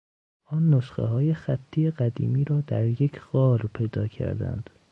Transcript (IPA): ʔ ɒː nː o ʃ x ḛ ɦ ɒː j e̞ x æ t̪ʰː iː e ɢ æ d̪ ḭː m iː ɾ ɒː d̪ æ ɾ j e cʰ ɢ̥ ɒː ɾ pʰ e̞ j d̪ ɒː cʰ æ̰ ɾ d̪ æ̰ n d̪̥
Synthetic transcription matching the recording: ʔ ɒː nː o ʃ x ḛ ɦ ɒː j e̞ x æ t̪ʰː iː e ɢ æ d̪ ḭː m iː ɾ ɒː d̪ æ ɾ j e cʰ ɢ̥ ɒː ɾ pʰ e̞ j d̪ ɒː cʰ æ̰ ɾ d̪ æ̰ n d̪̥